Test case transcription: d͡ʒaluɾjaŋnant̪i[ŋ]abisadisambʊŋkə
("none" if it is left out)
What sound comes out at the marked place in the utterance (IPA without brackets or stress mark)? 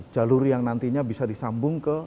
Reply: ɲ